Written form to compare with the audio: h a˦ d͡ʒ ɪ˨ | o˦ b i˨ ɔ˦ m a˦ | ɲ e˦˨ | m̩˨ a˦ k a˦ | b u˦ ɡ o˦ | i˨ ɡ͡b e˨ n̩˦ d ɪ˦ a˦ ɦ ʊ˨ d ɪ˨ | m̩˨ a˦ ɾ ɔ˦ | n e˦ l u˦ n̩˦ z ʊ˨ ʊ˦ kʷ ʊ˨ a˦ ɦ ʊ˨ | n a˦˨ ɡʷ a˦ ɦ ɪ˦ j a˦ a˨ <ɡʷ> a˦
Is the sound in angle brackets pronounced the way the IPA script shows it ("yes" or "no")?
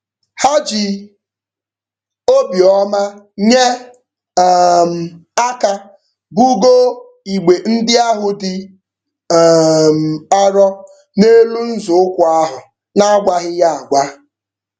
yes